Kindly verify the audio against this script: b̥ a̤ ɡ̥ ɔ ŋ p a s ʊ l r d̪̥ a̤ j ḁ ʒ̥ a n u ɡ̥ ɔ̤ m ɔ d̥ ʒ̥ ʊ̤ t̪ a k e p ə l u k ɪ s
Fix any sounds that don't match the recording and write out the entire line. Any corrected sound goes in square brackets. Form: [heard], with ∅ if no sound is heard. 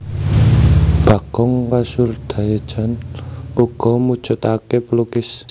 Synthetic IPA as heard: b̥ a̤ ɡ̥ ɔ ŋ [k] a s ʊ [∅] r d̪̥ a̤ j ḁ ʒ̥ a n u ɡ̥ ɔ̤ m [u] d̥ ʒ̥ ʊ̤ t̪ a k e p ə l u k ɪ s